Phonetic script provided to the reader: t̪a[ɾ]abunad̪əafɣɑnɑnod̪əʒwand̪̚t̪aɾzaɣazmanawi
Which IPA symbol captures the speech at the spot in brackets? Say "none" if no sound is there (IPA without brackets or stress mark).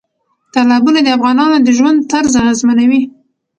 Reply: l